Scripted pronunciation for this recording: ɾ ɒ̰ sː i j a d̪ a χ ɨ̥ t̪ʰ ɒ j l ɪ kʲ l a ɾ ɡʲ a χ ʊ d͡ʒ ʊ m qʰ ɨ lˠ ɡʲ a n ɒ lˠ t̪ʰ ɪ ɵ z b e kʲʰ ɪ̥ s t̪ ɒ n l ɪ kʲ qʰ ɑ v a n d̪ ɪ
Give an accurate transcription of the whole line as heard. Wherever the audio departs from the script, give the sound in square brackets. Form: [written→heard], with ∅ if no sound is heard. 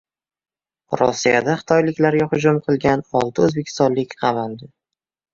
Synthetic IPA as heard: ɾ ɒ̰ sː i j a d̪ a χ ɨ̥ t̪ʰ ɒ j l ɪ kʲ l a ɾ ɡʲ a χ ʊ d͡ʒ ʊ m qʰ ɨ lˠ ɡʲ a n ɒ lˠ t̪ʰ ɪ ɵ z b e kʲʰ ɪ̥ s t̪ ɒ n l ɪ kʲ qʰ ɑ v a n d̪ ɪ